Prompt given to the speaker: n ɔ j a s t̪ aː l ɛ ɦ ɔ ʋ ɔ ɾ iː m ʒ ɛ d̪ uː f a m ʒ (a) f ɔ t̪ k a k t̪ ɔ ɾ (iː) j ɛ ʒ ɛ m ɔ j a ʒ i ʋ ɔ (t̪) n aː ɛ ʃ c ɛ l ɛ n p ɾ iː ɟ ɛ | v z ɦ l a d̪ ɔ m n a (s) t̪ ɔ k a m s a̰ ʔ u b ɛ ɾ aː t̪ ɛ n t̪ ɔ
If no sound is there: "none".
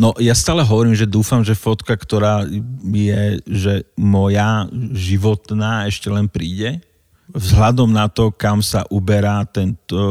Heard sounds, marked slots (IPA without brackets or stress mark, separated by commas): ɛ, aː, t̪, none